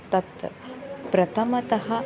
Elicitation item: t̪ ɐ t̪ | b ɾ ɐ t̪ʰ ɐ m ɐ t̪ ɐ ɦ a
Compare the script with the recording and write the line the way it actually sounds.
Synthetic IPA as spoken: t̪ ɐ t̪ | p ɾ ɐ t̪ʰ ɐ m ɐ t̪ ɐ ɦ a